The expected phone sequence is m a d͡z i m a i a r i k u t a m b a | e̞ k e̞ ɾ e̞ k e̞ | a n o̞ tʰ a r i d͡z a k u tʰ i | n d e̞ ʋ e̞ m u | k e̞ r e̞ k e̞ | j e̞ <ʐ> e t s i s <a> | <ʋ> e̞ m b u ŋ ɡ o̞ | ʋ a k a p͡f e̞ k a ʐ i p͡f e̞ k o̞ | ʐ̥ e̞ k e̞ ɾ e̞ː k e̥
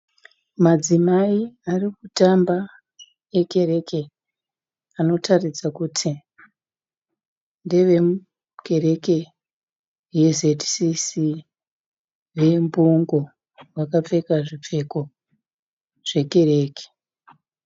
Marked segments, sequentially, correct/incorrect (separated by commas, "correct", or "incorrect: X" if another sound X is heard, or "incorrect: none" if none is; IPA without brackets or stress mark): incorrect: z, incorrect: i, correct